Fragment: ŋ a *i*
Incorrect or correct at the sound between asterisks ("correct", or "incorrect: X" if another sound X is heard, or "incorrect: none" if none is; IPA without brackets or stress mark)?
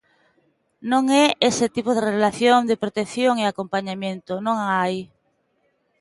incorrect: j